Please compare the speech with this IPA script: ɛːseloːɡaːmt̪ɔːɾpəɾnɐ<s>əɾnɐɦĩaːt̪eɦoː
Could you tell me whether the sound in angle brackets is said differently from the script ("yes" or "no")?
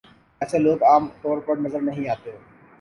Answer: yes